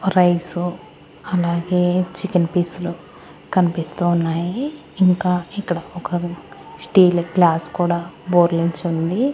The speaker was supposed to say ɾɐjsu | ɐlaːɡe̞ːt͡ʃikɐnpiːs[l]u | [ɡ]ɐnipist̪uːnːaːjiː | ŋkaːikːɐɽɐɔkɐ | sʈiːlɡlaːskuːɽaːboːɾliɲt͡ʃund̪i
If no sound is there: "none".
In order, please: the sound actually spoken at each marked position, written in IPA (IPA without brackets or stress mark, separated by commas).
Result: l, k